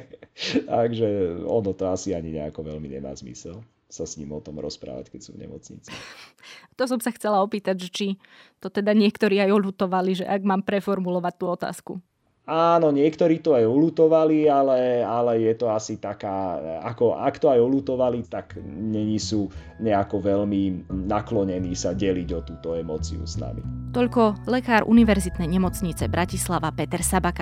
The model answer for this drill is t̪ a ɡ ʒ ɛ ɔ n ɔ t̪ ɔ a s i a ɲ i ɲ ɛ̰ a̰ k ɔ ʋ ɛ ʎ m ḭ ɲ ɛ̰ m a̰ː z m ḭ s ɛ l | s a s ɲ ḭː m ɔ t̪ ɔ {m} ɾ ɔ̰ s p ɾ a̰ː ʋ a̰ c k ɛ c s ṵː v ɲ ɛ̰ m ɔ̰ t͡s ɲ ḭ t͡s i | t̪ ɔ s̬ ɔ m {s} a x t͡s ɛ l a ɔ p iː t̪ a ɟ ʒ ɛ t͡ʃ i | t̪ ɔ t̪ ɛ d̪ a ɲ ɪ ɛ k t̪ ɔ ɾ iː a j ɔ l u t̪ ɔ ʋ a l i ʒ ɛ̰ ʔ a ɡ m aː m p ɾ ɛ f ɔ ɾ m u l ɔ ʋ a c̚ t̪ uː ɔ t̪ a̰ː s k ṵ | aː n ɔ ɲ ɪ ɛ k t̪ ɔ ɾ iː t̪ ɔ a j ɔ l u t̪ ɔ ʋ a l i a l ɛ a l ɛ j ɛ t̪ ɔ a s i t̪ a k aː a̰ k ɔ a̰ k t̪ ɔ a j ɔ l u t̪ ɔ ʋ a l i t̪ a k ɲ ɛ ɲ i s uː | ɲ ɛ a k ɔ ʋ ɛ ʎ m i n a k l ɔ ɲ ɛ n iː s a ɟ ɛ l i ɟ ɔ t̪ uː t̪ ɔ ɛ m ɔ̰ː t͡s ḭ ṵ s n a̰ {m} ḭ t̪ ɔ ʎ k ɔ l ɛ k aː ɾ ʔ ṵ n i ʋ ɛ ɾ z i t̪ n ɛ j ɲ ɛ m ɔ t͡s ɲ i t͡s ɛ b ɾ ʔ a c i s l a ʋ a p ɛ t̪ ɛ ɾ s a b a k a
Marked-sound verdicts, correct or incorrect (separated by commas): correct, correct, correct